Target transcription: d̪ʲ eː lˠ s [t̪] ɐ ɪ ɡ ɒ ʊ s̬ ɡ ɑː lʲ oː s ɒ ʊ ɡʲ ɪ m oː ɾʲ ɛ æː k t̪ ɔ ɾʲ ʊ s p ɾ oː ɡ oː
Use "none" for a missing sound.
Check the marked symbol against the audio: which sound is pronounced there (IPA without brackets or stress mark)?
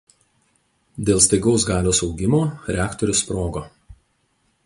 t̪